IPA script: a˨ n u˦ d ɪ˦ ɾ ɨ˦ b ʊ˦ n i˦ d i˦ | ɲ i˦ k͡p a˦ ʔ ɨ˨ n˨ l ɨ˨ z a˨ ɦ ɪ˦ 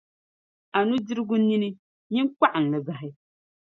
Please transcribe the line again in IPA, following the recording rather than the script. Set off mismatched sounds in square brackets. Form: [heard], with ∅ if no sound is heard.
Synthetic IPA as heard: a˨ n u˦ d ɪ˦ ɾ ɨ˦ [ɡ] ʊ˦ n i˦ [n] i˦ | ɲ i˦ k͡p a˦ ʔ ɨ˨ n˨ l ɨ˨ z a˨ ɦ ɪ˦